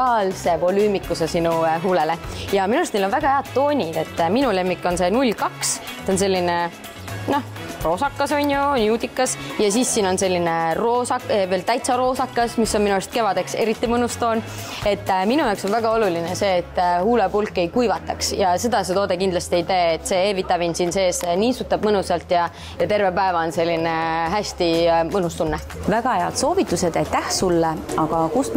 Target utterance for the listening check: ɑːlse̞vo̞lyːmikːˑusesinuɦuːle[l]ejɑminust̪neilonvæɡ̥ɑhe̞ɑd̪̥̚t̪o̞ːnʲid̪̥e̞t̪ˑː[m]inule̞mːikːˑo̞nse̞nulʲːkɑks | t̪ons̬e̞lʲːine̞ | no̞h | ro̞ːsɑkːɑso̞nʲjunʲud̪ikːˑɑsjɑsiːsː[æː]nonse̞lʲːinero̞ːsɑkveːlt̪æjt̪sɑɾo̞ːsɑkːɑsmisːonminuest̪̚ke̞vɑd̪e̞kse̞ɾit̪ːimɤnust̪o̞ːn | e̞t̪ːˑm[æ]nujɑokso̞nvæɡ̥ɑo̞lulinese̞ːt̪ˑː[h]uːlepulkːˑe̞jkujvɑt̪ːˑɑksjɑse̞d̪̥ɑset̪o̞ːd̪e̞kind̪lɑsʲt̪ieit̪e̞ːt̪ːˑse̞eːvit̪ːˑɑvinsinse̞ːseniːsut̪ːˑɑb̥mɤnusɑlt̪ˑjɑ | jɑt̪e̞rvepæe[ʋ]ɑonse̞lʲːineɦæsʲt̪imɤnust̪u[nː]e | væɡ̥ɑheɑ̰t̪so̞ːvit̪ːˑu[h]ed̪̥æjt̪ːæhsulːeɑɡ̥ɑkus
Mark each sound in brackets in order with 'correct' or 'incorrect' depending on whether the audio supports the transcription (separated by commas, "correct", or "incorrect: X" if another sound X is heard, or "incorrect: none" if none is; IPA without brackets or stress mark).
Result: correct, correct, incorrect: iː, incorrect: i, correct, incorrect: v, correct, incorrect: s